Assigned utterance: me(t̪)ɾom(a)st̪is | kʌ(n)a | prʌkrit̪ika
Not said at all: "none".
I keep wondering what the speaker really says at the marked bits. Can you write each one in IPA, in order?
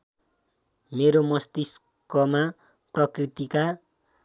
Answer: none, ʌ, m

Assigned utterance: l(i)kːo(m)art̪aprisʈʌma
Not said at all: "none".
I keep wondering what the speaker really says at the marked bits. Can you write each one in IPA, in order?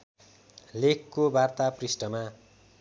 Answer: e, b

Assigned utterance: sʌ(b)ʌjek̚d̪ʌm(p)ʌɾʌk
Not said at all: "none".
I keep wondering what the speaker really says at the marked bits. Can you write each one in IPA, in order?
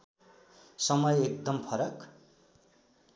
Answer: m, pʰ

